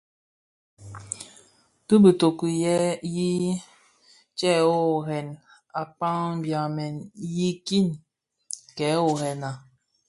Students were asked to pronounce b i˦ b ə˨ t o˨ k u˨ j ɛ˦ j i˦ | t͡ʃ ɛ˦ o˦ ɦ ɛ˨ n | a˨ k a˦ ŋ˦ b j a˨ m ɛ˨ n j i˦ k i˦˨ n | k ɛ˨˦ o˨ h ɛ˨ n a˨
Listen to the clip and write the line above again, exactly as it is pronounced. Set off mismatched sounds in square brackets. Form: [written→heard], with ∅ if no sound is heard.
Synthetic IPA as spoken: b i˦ b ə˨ t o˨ k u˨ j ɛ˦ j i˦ | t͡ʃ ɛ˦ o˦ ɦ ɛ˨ n | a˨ [k→k͡p] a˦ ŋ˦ b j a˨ m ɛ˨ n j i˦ k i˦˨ n | k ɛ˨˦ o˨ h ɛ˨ n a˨